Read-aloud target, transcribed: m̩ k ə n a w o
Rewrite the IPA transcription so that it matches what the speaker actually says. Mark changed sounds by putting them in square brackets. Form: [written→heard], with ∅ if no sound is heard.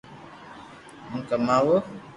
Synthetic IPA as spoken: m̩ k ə [n→m] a w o

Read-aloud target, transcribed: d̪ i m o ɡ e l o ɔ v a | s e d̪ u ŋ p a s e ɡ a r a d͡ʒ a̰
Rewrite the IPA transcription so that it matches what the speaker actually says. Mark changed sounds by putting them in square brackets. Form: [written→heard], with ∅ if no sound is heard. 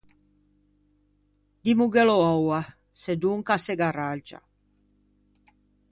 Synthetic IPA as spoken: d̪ i m [o→u] ɡ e l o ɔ [v→w] a | s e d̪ u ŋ [p→k] a s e ɡ a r a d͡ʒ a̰

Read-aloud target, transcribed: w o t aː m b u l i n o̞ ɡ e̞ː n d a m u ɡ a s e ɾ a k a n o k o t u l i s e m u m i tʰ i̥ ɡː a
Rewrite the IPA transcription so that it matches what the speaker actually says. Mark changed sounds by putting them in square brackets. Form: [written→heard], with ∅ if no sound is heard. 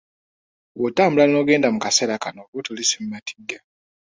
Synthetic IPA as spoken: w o t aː m b u l [i→a] n o̞ ɡ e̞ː n d a m u [ɡ→k] a s e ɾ a k a n o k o t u l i s e m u m [i→a] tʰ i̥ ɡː a

